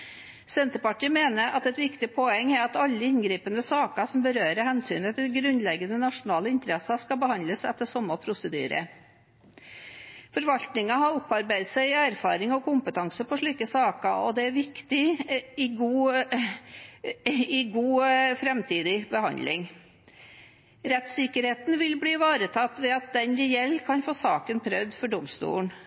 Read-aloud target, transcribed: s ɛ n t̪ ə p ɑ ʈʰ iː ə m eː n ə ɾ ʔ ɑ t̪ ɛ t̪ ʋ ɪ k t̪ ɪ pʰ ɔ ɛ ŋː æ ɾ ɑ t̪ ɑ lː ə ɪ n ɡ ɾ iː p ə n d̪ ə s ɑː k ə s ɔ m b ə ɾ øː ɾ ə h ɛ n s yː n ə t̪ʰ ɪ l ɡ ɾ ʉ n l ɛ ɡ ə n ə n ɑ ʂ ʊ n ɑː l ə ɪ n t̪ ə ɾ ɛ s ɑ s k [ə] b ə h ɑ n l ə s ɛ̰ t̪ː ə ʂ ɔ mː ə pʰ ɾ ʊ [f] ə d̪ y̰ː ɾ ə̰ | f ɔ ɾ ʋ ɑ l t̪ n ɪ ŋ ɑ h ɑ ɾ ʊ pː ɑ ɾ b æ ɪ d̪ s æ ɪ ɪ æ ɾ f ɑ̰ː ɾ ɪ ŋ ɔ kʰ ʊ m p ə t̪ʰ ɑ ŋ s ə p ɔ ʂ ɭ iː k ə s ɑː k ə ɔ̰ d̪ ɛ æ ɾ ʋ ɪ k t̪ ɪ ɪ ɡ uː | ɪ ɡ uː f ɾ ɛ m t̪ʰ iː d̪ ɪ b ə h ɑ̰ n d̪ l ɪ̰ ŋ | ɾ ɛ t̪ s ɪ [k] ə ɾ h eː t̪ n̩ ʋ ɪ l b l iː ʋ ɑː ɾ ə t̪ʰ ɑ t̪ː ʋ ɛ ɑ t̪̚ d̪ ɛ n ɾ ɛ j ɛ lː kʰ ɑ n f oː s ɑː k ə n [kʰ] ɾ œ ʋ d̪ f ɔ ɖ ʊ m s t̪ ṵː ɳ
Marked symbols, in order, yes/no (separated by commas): no, no, yes, no